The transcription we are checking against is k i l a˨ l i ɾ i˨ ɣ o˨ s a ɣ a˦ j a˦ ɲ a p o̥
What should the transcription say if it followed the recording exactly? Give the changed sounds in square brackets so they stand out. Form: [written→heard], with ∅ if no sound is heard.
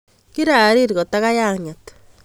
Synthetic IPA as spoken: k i [l→ɾ] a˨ [l→ɾ] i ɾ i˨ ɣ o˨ [s→t] a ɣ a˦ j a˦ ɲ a [p→t] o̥